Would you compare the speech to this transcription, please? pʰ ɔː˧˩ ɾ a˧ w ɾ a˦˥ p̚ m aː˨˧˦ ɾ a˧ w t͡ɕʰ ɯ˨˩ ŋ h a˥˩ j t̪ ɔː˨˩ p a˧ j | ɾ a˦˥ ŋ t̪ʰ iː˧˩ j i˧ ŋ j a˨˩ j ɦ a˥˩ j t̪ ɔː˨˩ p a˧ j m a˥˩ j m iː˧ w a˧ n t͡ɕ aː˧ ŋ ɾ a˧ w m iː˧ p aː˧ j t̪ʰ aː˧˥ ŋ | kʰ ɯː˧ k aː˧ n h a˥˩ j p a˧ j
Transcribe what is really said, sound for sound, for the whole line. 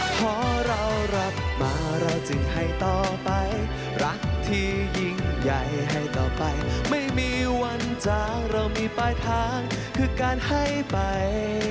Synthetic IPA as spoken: pʰ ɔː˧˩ ɾ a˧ w ɾ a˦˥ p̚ m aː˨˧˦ ɾ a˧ w t͡ɕ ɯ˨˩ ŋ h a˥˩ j t̪ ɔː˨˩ p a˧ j | ɾ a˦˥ ŋ t̪ʰ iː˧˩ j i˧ ŋ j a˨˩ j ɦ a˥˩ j t̪ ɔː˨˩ p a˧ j m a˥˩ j m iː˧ w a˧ n t͡ɕ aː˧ ŋ ɾ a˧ w m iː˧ p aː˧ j t̪ʰ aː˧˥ ŋ | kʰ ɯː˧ k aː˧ n h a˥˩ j p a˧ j

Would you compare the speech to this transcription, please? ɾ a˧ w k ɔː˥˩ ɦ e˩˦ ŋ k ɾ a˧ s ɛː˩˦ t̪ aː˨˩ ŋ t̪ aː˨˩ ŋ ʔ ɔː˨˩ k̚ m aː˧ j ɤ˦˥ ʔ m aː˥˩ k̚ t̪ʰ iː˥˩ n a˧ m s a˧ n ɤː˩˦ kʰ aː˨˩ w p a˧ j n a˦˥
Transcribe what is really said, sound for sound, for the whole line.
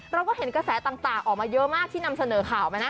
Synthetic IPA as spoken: ɾ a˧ w k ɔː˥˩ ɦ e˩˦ n k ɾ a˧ s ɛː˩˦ t̪ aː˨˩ ŋ t̪ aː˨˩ ŋ ʔ ɔː˨˩ k̚ m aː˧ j ɤ˦˥ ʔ m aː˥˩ k̚ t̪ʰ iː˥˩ n a˧ m s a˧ n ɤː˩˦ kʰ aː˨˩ w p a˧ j n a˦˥

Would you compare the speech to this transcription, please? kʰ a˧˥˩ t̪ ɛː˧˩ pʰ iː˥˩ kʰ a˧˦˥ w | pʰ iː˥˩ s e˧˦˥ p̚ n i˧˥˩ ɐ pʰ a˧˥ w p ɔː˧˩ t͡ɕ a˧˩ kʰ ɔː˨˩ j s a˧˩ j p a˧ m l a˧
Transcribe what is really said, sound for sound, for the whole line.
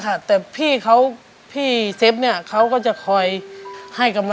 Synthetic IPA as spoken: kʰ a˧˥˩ t̪ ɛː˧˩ pʰ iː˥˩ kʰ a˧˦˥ w | pʰ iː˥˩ s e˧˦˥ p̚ n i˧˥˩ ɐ kʰ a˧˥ w k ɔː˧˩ t͡ɕ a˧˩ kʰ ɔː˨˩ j h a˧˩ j k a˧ m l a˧

